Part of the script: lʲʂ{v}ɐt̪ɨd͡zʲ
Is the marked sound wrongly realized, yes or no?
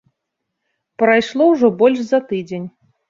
yes